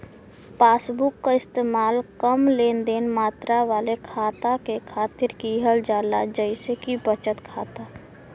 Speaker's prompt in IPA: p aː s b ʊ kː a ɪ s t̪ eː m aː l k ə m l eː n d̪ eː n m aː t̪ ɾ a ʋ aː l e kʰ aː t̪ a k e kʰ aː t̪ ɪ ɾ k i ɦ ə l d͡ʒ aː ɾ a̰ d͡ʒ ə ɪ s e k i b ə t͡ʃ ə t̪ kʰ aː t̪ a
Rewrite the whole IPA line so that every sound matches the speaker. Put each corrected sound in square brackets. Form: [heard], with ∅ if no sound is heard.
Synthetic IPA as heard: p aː s b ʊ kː a ɪ s t̪ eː m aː l k ə m l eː n d̪ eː n m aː t̪ ɾ a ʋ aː l e kʰ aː t̪ a k e kʰ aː t̪ ɪ ɾ k i ɦ ə l d͡ʒ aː [l] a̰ d͡ʒ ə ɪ s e k i b ə t͡ʃ ə t̪ kʰ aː t̪ a